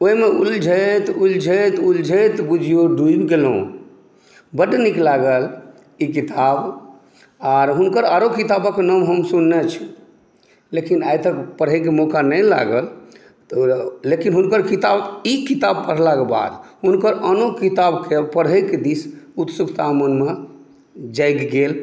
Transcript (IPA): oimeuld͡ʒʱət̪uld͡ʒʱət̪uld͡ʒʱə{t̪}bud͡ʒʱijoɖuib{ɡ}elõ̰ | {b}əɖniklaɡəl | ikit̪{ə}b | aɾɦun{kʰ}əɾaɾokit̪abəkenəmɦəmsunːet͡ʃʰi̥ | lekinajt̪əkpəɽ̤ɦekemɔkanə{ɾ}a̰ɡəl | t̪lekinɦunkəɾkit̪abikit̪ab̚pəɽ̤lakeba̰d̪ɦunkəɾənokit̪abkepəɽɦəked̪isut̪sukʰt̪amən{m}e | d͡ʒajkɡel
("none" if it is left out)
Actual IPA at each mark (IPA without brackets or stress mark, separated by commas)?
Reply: t̪, ɡ, b, a, k, l, m